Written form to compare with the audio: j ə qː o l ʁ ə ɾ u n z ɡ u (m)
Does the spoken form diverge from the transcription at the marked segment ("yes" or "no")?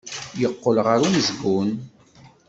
yes